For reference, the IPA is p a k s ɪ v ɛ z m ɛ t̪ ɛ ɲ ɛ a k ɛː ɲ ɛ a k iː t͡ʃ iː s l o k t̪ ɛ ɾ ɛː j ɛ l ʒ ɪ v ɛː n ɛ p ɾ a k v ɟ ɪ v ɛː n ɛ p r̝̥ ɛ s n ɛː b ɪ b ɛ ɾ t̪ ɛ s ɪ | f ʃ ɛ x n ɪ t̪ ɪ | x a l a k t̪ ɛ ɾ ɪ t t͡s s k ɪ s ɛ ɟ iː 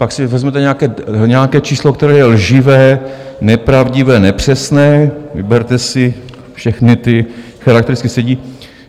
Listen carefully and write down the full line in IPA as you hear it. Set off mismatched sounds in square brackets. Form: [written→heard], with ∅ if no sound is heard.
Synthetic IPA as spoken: p a k s ɪ v ɛ z m ɛ t̪ ɛ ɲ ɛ a k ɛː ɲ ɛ a k [iː→ɛː] t͡ʃ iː s l o k t̪ ɛ ɾ ɛː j ɛ l ʒ ɪ v ɛː n ɛ p ɾ a [k→∅] v ɟ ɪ v ɛː n ɛ p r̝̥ ɛ s n ɛː [b→v] ɪ b ɛ ɾ t̪ ɛ s ɪ | f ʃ ɛ x n ɪ t̪ ɪ | x a [l→ɾ] a k t̪ ɛ ɾ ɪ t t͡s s k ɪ s ɛ ɟ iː